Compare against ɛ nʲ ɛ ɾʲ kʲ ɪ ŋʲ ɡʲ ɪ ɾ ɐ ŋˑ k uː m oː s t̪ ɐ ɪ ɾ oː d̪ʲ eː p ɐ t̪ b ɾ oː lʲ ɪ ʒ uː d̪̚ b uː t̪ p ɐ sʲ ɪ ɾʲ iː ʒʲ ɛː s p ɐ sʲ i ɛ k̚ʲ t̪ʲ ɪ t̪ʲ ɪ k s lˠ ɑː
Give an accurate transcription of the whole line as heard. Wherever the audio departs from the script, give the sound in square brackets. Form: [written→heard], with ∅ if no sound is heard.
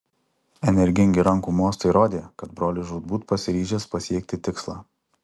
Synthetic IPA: ɛ nʲ ɛ ɾʲ [kʲ→ɡʲ] ɪ ŋʲ ɡʲ ɪ ɾ ɐ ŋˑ k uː m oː s t̪ ɐ ɪ ɾ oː d̪ʲ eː [p→k] ɐ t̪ b ɾ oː lʲ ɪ ʒ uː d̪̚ b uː t̪ p ɐ sʲ ɪ ɾʲ iː ʒʲ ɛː s p ɐ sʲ i ɛ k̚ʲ t̪ʲ ɪ t̪ʲ ɪ k s lˠ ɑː